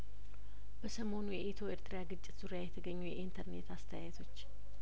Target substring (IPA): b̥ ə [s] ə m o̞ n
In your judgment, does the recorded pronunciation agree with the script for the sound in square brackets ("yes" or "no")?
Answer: yes